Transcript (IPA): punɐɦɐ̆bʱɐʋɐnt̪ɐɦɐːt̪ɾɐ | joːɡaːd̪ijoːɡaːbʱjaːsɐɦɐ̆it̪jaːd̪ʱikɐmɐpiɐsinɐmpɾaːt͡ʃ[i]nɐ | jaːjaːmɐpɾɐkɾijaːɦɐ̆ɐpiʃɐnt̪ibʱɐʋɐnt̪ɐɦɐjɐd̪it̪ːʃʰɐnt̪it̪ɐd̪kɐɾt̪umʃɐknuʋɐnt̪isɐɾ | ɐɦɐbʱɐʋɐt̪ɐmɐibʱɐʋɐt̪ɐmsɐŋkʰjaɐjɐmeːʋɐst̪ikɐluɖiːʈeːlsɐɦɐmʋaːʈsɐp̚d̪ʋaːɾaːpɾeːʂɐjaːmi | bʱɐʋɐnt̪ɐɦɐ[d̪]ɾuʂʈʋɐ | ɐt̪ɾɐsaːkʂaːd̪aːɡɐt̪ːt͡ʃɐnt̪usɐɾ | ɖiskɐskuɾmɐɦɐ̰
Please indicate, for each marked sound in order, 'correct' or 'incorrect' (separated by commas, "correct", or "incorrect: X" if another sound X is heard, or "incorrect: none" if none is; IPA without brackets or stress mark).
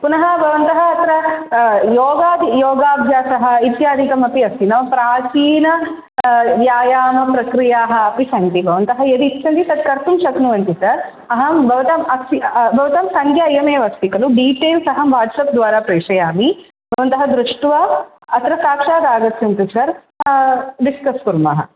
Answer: incorrect: iː, correct